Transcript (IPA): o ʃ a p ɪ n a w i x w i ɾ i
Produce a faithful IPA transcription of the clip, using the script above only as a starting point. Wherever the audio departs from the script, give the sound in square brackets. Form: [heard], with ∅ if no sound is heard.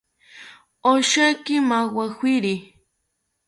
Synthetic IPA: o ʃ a [k] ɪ [m] a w [a] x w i ɾ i